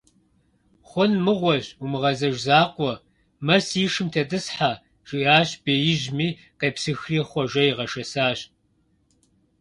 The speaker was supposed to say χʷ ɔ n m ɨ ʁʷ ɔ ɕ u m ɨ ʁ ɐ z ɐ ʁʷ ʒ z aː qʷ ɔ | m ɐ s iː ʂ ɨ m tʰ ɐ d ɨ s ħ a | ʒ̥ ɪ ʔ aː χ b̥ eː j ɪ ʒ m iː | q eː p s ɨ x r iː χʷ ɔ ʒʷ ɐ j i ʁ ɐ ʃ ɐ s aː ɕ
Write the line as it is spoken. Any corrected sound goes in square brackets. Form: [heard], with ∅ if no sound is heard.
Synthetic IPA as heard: χʷ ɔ n m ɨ ʁʷ ɔ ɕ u m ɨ ʁ ɐ z ɐ [∅] ʒ z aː qʷ ɔ | m ɐ s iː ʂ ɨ m tʰ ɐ d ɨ s ħ a | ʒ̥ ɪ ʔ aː [ɕ] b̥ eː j ɪ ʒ m iː | q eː p s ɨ x r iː χʷ ɔ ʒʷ ɐ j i ʁ ɐ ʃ ɐ s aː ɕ